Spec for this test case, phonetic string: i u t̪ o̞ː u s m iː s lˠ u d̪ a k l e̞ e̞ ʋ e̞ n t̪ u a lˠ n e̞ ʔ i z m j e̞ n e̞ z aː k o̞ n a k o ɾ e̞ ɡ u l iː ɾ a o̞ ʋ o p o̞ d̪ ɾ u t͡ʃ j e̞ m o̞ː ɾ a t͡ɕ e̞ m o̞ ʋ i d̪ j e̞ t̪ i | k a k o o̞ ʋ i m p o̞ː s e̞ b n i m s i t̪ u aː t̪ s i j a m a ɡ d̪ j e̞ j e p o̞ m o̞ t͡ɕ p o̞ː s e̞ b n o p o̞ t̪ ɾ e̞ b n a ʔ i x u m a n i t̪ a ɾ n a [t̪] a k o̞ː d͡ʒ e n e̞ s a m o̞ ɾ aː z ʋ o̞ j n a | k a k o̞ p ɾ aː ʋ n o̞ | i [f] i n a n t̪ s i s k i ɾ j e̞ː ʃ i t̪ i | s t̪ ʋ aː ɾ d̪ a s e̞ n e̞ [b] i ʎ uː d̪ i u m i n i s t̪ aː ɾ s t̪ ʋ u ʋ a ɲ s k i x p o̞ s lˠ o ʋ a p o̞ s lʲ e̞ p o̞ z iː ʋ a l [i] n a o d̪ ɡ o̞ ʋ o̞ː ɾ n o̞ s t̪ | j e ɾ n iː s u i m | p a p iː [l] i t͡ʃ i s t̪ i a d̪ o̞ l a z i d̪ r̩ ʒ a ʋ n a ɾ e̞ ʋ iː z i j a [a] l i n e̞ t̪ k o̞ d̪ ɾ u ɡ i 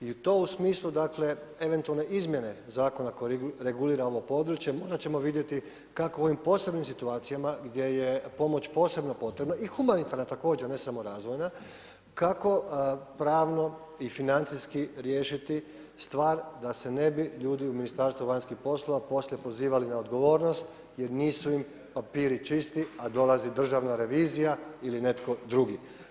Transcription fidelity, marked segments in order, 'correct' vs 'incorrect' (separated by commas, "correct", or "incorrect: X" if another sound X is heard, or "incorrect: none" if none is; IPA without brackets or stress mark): correct, correct, correct, correct, incorrect: ɾ, incorrect: i